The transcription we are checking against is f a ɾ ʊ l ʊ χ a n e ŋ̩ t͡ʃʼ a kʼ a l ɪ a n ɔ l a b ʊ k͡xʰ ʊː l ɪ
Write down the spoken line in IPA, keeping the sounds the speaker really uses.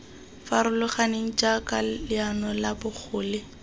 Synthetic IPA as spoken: f a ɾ ʊ l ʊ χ a n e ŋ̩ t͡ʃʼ a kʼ a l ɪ a n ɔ l a b ʊ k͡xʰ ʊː l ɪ